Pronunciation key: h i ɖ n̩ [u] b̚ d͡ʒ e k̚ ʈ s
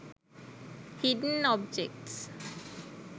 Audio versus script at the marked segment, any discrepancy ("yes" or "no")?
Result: yes